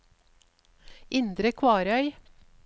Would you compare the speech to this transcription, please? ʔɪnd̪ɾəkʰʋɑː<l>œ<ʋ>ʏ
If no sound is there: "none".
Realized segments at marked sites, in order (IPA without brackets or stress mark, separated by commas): ɾ, none